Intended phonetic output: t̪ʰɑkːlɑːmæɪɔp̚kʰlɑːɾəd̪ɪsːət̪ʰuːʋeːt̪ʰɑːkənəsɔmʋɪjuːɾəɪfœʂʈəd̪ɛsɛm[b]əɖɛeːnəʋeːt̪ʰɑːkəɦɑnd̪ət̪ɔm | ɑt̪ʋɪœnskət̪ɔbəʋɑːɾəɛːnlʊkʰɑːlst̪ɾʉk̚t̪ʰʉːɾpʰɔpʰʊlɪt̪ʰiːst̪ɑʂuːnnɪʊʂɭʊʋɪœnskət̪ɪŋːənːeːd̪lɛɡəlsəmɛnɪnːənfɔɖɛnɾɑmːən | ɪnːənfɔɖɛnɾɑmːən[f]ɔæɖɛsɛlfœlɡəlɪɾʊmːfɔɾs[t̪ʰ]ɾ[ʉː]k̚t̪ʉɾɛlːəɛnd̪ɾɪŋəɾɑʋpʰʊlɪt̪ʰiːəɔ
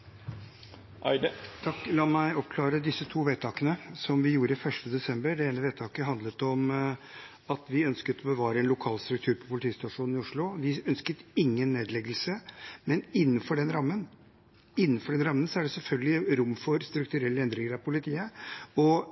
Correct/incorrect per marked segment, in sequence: correct, incorrect, incorrect, incorrect

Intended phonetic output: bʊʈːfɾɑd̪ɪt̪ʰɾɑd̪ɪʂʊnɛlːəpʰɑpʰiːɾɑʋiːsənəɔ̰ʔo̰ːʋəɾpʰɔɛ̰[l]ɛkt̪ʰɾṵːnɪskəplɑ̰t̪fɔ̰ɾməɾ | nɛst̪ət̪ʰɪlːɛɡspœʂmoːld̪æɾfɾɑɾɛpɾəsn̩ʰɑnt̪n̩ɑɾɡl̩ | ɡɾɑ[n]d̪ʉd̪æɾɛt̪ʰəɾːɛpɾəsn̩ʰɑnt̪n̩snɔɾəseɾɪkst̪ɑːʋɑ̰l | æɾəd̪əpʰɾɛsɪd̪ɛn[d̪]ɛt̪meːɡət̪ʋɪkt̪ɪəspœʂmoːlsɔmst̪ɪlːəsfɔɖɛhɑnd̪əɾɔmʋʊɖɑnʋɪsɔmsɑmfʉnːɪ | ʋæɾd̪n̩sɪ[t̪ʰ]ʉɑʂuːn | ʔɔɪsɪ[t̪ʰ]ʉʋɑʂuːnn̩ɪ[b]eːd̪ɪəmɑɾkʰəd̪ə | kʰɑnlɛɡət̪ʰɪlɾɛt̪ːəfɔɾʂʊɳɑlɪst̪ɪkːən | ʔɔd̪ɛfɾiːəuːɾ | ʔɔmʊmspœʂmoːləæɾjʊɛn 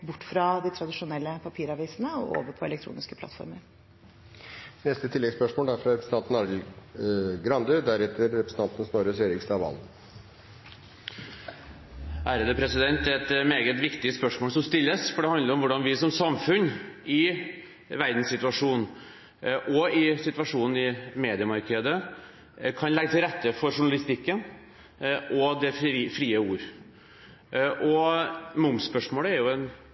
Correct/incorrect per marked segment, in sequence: correct, correct, incorrect, incorrect, incorrect, incorrect

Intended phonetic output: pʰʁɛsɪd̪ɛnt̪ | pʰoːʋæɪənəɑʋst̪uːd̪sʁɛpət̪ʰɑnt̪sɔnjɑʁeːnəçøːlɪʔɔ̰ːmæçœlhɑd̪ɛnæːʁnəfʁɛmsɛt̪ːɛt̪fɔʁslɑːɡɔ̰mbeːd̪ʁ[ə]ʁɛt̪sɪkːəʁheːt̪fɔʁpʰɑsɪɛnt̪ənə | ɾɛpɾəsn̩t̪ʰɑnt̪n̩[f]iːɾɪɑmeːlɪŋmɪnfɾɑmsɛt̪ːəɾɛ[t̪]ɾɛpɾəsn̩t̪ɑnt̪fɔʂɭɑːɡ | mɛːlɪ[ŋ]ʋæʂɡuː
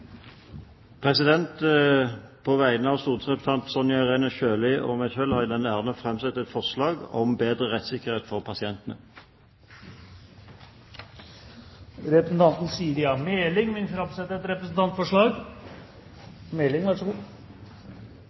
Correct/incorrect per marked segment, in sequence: correct, incorrect, correct, correct

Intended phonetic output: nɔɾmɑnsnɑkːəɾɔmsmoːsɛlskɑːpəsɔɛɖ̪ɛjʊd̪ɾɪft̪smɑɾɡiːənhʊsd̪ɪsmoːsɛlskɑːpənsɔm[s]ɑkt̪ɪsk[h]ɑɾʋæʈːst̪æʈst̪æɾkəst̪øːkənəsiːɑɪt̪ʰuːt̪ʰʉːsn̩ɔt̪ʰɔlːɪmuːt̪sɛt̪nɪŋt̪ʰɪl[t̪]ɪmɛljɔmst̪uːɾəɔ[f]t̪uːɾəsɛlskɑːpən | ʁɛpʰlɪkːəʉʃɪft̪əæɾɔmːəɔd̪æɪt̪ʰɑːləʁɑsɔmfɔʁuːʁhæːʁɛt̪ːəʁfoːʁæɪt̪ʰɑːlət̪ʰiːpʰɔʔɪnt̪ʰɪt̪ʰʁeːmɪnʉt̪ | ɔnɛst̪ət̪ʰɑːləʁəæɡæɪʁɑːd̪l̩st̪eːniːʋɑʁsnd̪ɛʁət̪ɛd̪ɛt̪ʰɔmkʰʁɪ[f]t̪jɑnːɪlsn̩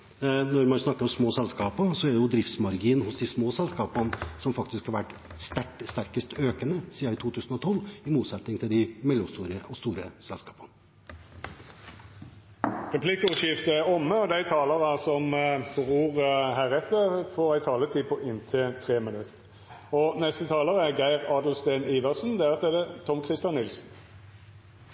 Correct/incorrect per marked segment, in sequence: incorrect, correct, incorrect, incorrect, incorrect

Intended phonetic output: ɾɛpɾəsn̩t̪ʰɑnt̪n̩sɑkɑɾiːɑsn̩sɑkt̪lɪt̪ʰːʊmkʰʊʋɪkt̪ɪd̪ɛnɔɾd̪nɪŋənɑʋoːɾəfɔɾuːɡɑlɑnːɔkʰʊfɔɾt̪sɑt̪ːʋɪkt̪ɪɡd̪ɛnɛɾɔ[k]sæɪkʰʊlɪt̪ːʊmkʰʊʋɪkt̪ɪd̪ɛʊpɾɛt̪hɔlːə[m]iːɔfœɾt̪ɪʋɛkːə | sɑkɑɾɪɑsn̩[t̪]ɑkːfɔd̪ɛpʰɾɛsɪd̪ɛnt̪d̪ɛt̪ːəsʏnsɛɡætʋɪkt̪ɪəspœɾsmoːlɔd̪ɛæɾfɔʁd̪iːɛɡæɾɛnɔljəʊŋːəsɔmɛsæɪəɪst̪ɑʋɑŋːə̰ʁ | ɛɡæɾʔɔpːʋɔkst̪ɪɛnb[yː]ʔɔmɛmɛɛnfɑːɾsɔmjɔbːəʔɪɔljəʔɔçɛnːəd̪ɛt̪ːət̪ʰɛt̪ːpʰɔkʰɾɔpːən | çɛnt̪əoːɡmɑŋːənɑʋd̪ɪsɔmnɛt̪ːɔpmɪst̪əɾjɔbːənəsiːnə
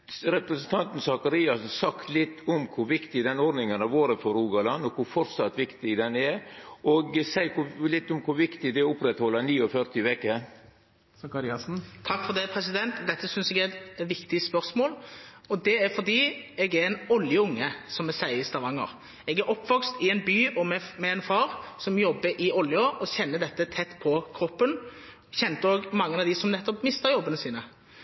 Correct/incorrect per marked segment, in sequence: incorrect, incorrect, incorrect, correct

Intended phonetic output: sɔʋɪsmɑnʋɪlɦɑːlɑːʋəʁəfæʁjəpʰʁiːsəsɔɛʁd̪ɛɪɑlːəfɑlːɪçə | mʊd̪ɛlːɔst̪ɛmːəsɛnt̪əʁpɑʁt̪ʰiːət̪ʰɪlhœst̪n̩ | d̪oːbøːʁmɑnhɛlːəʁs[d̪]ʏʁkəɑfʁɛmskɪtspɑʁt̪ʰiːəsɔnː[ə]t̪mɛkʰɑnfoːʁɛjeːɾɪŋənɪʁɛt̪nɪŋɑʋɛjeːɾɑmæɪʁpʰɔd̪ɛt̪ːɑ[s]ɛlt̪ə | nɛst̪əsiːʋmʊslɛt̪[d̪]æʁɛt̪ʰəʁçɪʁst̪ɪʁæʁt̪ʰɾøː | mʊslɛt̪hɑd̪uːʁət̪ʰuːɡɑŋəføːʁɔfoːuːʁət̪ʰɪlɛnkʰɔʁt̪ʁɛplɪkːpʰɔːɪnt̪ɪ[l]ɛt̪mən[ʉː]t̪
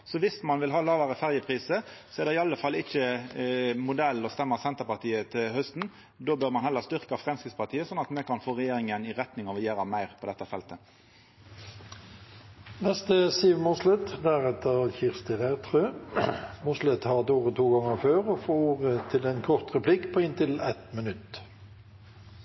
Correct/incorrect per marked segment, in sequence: incorrect, incorrect, incorrect, correct, correct, incorrect

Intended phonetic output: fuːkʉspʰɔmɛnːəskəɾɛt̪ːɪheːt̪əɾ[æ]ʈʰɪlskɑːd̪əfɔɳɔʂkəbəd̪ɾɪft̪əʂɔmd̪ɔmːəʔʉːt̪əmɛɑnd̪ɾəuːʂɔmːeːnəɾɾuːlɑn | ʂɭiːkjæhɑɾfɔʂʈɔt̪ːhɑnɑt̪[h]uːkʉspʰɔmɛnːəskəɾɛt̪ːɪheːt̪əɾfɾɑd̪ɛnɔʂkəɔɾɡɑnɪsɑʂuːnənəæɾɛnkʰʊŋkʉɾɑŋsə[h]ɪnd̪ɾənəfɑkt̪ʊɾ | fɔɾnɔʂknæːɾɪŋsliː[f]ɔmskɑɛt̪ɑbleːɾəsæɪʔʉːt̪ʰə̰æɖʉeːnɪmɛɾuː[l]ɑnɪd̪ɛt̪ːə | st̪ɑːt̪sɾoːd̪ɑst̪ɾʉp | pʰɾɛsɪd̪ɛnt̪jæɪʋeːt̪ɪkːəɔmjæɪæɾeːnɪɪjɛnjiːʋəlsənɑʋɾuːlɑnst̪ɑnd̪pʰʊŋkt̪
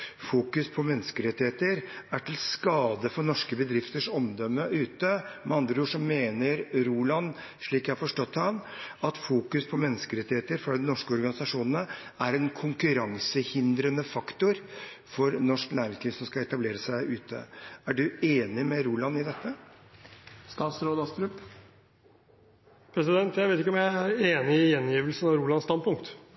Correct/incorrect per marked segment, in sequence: correct, incorrect, correct, incorrect, correct

